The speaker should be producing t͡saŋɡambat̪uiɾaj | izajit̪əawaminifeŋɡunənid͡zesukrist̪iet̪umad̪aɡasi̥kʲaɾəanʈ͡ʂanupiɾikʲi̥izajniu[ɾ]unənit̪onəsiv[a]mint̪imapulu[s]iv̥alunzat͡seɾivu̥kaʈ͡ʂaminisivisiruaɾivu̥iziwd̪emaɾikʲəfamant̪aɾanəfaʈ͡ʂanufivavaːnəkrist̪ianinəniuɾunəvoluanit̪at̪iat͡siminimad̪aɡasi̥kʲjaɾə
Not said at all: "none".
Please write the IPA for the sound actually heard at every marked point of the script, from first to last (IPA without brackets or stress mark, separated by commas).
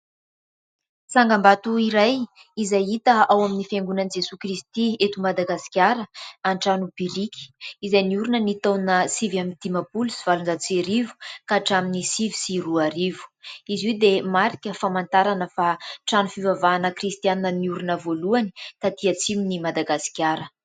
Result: ɾ, a, s